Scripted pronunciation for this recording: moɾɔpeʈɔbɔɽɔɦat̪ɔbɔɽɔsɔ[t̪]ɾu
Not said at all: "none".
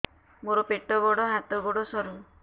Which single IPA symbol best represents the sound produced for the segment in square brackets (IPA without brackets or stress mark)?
none